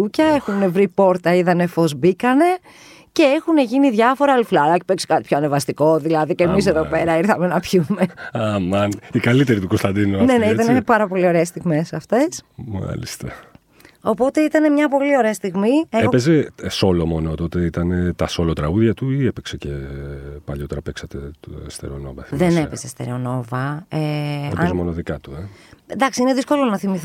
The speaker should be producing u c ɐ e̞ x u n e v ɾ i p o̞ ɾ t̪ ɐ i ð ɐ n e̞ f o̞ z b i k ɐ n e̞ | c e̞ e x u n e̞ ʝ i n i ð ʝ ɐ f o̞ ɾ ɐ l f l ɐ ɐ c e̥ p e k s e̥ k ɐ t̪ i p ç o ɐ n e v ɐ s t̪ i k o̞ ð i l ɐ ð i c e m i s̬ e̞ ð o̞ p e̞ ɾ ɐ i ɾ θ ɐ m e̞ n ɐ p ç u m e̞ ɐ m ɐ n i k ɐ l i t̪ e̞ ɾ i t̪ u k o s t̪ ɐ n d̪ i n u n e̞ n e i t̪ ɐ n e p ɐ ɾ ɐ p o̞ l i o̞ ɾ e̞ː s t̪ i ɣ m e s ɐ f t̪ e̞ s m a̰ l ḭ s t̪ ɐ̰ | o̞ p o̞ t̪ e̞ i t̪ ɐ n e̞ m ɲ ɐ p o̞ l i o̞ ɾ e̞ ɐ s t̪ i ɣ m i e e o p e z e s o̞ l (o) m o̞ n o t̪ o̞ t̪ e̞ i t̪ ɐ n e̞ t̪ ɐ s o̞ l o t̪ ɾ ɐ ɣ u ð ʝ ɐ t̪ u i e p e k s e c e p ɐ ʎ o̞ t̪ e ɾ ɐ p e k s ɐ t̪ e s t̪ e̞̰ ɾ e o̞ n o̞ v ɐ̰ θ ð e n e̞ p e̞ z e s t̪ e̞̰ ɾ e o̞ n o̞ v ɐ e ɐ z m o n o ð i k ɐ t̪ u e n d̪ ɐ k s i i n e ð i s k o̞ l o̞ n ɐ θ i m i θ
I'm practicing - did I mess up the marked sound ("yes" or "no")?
no